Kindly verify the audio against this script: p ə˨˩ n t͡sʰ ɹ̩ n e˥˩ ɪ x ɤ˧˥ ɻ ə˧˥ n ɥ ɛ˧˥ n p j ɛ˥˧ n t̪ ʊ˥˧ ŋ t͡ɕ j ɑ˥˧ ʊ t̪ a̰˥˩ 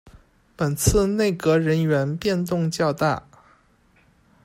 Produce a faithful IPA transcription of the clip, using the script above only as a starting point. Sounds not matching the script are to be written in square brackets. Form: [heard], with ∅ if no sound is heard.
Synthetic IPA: p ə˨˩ n t͡sʰ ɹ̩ n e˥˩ ɪ [k] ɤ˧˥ ɻ ə˧˥ n ɥ ɛ˧˥ n p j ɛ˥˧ n t̪ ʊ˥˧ ŋ t͡ɕ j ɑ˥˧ ʊ t̪ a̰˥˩